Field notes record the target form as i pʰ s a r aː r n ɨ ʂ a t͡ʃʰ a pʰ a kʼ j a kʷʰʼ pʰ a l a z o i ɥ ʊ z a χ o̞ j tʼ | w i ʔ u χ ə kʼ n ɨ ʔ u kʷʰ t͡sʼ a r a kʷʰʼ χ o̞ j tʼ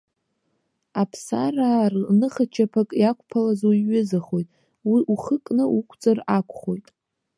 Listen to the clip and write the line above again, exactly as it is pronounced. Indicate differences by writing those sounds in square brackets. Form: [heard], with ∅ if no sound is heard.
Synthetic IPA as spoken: [a] pʰ s a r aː r n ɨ [χ] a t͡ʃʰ a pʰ a kʼ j a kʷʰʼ pʰ a l a z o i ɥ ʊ z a χ o̞ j tʼ | w i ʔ u χ ə kʼ n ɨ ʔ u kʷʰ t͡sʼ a r a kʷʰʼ χ o̞ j tʼ